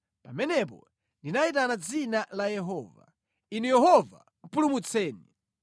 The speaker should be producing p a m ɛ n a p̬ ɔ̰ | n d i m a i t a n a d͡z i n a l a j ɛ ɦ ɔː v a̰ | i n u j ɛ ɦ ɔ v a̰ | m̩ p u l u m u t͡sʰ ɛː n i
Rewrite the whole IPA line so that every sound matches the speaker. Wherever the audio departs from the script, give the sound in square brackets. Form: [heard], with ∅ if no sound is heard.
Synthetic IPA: p a m ɛ n [ɛ] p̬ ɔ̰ | n d i [n] a i t a n a d͡z i n a l a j ɛ ɦ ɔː v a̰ | i n u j ɛ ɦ ɔ v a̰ | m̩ p u l u m u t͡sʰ ɛː n i